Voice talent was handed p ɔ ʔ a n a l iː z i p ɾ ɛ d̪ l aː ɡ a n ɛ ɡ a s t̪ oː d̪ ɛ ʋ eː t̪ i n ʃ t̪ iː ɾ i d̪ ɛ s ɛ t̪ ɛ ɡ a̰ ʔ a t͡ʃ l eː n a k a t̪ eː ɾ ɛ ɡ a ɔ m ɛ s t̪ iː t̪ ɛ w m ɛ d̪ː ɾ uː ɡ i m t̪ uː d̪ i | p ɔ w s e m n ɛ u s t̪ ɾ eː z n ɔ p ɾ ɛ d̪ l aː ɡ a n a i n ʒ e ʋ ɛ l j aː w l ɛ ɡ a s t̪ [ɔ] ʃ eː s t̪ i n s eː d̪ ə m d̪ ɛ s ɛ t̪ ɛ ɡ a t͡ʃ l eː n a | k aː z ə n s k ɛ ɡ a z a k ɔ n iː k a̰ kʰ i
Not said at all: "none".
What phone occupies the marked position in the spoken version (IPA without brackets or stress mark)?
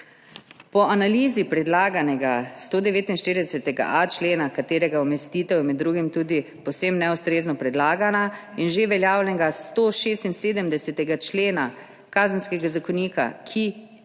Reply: o